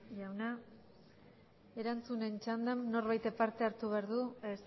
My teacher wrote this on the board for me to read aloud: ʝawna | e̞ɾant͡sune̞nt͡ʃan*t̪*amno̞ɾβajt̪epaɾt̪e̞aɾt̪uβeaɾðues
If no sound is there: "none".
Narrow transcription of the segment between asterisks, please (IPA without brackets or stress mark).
d̪